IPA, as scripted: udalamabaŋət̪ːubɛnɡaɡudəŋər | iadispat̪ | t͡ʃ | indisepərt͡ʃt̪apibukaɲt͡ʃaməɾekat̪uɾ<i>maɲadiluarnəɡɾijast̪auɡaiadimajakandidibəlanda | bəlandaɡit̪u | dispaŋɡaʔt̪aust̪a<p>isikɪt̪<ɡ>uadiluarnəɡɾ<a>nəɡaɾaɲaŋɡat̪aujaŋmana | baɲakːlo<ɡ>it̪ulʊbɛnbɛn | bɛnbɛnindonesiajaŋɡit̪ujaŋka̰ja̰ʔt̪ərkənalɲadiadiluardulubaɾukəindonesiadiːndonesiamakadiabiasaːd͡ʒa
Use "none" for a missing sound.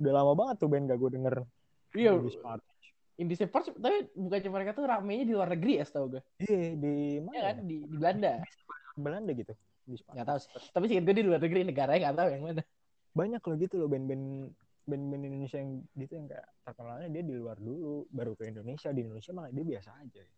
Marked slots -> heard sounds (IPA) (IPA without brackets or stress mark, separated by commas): a, p, ɡ, i, ɡ